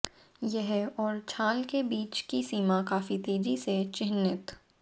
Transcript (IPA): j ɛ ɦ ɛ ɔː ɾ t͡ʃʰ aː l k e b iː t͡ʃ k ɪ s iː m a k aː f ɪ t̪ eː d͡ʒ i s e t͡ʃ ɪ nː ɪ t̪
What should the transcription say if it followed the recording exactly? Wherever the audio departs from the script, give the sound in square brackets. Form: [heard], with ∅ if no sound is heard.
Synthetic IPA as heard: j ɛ ɦ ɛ ɔː ɾ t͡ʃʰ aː l k e b iː t͡ʃ k [i] s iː m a k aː f [i] t̪ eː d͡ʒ i s e t͡ʃ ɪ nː ɪ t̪